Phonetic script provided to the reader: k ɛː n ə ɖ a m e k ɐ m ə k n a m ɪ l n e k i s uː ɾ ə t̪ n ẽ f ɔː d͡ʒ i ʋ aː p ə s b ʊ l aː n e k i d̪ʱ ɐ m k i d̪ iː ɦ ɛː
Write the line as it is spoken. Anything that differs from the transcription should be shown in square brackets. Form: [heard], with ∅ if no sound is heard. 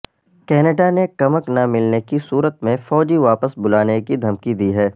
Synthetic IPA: k ɛː n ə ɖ a [n] e k ɐ m ə k n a m ɪ l n e k i s uː ɾ ə t̪ [m] ẽ f ɔː d͡ʒ i ʋ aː p ə s b ʊ l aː n e k i d̪ʱ ɐ m k i d̪ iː ɦ ɛː